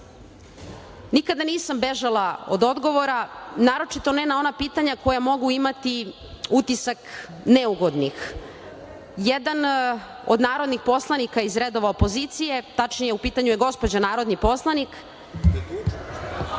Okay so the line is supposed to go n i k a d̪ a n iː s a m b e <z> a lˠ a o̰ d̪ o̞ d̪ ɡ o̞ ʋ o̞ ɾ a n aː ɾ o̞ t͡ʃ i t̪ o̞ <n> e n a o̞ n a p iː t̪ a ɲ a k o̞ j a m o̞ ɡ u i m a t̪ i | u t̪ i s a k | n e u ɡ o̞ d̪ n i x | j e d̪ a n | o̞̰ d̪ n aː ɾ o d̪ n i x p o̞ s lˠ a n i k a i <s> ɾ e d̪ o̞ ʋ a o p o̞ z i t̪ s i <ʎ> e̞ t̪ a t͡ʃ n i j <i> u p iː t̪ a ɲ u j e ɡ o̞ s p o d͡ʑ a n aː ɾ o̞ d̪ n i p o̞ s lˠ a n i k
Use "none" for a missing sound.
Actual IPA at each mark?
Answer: ʒ, n, z, j, e

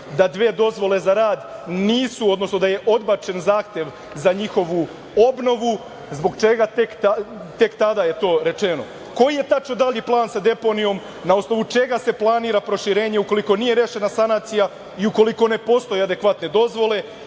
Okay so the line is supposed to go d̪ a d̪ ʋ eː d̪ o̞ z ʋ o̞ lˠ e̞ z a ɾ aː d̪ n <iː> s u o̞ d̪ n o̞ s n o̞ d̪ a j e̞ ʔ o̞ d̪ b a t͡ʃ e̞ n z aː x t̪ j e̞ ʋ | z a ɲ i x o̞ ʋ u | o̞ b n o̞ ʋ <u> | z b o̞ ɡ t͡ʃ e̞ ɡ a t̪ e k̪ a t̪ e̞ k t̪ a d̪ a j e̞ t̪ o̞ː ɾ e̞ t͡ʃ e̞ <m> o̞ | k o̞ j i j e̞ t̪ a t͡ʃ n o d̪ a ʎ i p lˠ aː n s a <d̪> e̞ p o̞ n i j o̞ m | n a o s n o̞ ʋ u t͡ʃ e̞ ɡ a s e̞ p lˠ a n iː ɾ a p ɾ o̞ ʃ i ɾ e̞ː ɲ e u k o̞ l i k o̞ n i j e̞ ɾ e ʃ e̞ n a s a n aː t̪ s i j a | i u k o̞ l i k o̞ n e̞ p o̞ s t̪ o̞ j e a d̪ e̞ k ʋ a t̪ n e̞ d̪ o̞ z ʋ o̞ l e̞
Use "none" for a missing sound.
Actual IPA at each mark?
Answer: iː, u, n, d̪

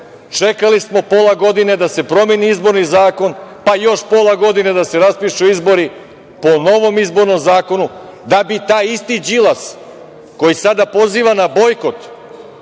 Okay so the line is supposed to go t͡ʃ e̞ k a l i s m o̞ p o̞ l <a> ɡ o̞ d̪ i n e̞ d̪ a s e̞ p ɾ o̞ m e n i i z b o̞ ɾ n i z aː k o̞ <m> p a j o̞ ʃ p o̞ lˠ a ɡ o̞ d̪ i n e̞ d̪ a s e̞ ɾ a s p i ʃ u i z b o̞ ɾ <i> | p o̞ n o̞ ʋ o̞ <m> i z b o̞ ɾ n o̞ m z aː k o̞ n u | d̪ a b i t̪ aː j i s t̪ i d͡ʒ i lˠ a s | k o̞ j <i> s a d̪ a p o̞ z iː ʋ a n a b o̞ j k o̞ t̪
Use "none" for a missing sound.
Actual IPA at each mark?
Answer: a, n, i, m, i

